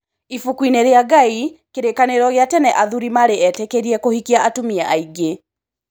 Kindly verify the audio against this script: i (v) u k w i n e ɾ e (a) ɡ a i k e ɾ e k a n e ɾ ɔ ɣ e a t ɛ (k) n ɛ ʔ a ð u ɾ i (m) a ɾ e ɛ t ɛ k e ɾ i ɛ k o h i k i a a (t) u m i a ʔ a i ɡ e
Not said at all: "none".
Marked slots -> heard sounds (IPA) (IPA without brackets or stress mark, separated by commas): f, a, none, m, t